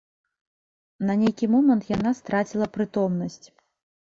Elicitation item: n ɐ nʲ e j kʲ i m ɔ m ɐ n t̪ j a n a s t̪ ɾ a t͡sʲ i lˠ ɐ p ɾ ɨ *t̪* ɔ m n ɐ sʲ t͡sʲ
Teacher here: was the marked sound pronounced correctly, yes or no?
yes